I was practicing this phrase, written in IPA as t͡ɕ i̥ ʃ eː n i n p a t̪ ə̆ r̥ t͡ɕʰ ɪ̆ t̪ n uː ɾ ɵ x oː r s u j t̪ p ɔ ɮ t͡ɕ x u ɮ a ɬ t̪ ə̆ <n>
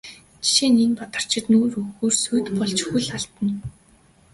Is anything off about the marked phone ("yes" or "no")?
no